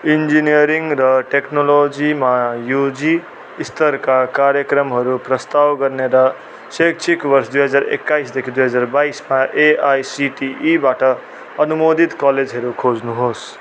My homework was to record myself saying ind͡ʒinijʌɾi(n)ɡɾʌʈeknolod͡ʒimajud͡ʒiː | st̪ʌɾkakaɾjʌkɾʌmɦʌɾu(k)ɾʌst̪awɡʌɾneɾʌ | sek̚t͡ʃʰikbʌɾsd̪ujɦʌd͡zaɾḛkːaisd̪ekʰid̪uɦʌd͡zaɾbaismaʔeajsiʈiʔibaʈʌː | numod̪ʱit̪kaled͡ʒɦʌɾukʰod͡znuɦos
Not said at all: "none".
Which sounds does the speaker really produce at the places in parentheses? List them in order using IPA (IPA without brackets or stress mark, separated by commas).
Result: ŋ, p